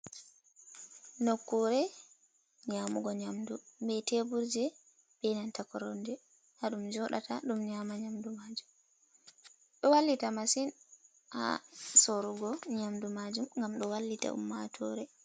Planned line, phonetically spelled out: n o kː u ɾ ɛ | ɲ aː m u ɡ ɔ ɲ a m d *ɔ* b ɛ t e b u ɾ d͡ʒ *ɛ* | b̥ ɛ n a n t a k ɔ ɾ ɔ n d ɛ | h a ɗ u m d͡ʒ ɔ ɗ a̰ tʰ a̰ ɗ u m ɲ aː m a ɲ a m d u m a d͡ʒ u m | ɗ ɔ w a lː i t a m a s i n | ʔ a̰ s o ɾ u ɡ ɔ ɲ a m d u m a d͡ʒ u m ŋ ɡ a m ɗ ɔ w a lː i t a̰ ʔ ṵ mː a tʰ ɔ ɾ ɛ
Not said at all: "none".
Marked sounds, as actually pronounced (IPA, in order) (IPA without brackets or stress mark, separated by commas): u, ɛ